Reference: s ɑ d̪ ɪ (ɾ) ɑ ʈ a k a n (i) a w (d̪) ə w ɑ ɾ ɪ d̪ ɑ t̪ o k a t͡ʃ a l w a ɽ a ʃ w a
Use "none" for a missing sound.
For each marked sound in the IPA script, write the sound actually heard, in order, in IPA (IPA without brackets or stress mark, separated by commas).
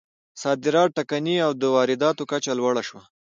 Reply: ɾ, i, d̪